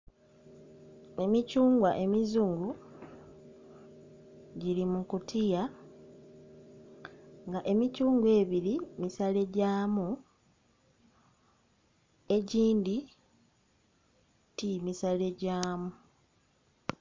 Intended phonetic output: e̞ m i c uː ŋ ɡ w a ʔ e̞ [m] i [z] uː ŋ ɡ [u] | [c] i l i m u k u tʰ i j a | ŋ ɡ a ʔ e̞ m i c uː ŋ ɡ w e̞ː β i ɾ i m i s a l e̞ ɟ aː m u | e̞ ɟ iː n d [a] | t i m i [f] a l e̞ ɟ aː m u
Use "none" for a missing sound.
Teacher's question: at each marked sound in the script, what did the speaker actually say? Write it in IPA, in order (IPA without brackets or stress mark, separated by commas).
m, z, u, ɟ, i, s